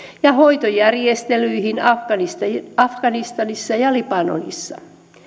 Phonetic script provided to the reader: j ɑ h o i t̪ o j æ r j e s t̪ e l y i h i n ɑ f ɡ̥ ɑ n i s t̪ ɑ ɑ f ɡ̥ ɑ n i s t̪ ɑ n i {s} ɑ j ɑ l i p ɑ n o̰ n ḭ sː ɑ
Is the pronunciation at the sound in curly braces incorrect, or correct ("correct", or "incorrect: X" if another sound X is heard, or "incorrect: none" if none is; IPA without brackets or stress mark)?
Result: incorrect: sː